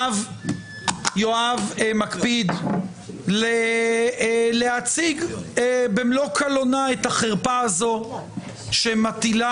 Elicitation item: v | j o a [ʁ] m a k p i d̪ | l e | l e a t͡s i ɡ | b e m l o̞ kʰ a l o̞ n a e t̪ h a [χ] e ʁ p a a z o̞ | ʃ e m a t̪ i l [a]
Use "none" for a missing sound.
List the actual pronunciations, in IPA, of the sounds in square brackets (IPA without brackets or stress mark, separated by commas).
v, χ, a